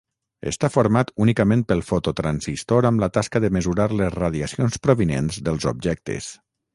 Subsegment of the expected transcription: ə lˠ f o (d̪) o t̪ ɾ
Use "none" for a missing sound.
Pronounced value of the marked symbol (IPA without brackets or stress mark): t̪